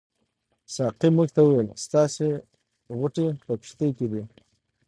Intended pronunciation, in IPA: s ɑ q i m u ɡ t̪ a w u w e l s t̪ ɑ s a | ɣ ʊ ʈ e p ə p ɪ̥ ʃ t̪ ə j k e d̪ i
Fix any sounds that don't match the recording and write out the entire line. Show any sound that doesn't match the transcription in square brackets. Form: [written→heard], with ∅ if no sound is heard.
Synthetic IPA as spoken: s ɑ q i m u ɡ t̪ a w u w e l s t̪ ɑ s [a→e] | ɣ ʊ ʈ e p ə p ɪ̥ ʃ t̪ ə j k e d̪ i

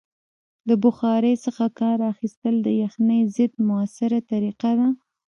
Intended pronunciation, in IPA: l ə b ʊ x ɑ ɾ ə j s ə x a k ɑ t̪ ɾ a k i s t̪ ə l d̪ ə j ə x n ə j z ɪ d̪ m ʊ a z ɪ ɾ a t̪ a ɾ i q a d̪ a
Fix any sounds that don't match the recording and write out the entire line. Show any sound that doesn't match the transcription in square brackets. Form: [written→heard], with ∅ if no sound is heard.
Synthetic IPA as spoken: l ə b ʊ x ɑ ɾ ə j s ə x a k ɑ [t̪→∅] ɾ a [k→x] i s t̪ ə l d̪ ə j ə x n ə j z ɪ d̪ m ʊ a [z→s] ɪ ɾ a t̪ a ɾ i q a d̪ a

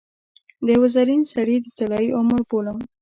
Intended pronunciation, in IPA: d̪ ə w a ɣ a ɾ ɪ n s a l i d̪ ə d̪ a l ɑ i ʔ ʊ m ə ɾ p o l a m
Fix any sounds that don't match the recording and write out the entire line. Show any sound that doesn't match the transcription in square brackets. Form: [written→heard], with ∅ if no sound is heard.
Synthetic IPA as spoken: d̪ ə w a [ɣ→z] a ɾ [ɪ→i] n s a [l→ɽ] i d̪ ə [d̪→t̪] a l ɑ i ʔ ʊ m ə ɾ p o l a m

